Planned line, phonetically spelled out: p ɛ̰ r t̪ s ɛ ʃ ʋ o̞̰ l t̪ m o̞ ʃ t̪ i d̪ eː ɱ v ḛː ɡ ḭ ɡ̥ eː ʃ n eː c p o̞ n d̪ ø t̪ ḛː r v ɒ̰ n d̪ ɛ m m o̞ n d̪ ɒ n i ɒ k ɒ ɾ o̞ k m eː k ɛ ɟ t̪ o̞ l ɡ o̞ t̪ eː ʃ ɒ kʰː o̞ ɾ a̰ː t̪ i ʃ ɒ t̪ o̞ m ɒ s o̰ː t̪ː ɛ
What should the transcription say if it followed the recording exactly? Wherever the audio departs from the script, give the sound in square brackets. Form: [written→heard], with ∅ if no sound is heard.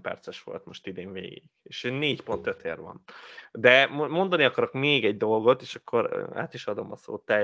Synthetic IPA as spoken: p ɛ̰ r t̪ s ɛ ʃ ʋ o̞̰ l t̪ m o̞ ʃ t̪ i d̪ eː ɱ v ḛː ɡ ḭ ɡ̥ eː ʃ n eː c p o̞ n [d̪→t̪] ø t̪ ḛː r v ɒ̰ n d̪ ɛ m m o̞ n d̪ ɒ n i ɒ k ɒ ɾ o̞ k m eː [k→ɡ] ɛ ɟ [t̪→d̪] o̞ l ɡ o̞ t̪ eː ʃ ɒ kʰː o̞ ɾ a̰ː t̪ i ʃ ɒ [t̪→d̪] o̞ m ɒ s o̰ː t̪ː ɛ